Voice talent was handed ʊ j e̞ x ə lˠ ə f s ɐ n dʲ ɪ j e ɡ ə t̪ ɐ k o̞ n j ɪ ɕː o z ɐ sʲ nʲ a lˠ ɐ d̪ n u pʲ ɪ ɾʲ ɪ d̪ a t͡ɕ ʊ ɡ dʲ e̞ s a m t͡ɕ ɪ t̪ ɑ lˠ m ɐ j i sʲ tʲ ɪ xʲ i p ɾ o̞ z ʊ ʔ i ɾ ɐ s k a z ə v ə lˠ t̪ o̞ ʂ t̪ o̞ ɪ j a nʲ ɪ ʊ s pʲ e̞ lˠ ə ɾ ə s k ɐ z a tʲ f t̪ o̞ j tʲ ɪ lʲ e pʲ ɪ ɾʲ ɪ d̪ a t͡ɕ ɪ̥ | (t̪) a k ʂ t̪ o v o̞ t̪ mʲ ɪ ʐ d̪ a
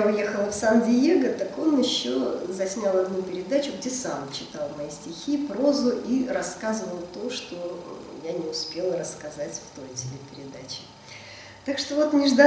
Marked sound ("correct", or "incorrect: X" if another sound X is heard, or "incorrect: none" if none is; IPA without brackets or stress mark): correct